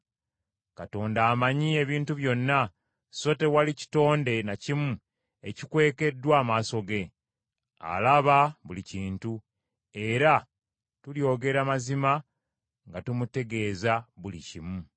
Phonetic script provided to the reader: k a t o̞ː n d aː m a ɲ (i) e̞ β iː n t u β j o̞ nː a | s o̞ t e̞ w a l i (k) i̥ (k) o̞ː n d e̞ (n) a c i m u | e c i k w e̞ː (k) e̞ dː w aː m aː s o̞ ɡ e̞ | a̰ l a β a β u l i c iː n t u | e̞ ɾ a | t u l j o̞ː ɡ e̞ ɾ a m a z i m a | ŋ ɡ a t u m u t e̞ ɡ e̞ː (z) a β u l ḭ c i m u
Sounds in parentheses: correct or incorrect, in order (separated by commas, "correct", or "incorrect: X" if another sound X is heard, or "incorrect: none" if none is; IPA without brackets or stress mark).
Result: correct, incorrect: c, incorrect: t, correct, correct, correct